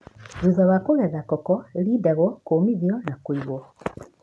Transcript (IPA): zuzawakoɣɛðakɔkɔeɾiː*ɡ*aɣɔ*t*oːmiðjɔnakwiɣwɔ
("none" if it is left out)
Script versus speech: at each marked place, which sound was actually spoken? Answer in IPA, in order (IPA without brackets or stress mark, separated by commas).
d, k